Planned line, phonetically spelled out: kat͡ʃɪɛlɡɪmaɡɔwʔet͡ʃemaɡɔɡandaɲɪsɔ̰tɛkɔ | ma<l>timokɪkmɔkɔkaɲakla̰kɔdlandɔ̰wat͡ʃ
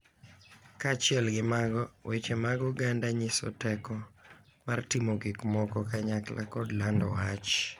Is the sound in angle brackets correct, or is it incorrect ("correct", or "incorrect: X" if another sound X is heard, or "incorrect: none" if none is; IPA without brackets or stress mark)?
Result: incorrect: r